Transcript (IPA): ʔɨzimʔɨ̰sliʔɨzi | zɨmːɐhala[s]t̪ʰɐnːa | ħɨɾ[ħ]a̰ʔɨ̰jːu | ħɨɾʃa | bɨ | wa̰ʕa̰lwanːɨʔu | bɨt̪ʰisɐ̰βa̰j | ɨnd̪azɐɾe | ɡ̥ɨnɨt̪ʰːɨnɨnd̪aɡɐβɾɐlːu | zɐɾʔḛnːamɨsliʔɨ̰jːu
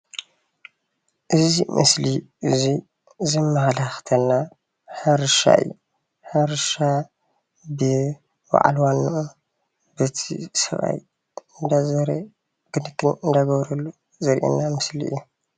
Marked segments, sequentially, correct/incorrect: incorrect: x, incorrect: ʃ

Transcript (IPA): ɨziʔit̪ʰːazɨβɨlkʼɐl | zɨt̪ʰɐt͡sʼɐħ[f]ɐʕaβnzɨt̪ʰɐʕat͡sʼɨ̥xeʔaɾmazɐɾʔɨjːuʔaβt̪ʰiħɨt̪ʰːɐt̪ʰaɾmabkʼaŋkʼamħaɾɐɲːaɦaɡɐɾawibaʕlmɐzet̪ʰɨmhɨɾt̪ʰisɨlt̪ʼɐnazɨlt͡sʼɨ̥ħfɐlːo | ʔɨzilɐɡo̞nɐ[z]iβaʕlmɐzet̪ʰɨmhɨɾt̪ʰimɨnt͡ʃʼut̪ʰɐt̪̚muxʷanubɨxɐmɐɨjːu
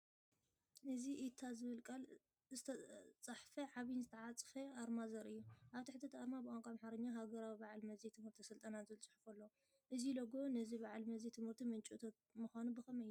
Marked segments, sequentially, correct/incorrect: correct, correct

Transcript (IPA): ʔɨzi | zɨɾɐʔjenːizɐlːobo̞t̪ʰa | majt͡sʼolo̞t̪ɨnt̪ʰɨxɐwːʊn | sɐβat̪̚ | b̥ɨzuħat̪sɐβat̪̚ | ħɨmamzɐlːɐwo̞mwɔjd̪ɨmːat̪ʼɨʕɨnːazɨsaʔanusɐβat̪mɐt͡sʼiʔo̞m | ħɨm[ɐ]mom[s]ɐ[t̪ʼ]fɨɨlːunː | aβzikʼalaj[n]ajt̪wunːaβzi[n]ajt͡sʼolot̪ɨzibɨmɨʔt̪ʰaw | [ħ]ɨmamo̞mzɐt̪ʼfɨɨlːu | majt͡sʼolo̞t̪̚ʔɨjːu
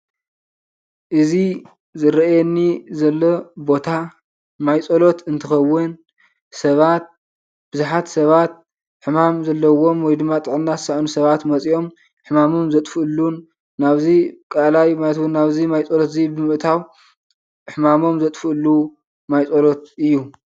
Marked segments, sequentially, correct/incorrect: incorrect: a, incorrect: z, correct, incorrect: m, incorrect: m, correct

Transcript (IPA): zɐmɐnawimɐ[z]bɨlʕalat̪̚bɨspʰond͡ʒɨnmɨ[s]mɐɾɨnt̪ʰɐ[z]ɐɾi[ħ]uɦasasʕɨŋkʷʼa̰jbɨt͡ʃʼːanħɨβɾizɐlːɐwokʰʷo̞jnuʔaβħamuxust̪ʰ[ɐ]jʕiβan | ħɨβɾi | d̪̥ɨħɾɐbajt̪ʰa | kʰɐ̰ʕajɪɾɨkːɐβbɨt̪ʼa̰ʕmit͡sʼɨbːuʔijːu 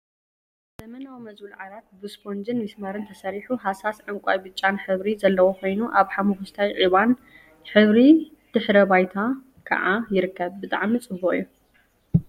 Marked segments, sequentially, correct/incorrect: correct, correct, incorrect: s, correct, incorrect: a

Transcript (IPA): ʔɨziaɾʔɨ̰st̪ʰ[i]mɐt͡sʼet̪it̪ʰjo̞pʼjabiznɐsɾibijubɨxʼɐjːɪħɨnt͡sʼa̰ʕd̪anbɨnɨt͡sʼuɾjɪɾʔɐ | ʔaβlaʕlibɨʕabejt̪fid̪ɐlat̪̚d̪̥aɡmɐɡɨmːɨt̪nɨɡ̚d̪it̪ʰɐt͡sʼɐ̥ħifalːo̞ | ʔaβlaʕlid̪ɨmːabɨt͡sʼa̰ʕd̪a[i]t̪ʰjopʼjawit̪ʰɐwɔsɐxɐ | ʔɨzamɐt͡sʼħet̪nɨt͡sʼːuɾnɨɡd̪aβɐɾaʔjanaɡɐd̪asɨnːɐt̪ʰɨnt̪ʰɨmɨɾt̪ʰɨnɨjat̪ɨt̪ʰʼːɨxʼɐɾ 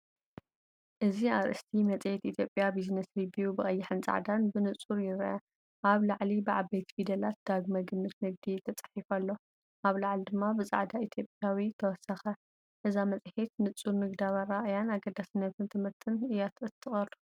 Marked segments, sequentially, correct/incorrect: correct, correct

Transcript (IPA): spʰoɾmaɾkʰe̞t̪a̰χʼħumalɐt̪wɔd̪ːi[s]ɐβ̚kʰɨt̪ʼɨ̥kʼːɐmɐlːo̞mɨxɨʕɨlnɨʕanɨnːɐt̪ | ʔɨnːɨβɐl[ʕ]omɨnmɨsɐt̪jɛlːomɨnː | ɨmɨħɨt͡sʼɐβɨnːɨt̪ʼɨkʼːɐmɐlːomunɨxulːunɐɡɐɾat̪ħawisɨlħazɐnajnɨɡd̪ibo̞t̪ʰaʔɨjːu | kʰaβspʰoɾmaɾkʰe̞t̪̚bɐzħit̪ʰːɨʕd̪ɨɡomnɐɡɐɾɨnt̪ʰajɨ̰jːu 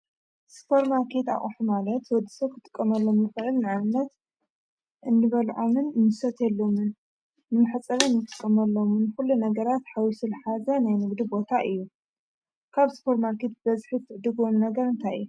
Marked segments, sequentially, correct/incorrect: correct, correct

